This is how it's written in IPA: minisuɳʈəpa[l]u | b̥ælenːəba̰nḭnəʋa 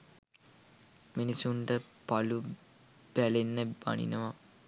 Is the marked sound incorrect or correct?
correct